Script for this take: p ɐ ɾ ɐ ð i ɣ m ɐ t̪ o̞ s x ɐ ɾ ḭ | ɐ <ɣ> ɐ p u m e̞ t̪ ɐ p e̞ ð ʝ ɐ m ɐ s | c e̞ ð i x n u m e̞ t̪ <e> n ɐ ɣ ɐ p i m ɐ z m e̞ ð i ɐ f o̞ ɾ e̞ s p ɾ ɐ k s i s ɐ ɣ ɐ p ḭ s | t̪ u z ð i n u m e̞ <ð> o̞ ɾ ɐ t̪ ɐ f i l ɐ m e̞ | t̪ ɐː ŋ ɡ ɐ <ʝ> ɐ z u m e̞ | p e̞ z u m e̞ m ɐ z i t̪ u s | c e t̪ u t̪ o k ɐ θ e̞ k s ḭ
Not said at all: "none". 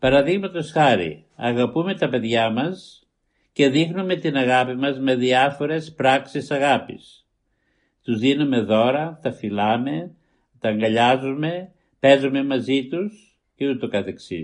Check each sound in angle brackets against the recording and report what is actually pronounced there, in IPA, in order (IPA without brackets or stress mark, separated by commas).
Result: ɣ, i, ð, ʎ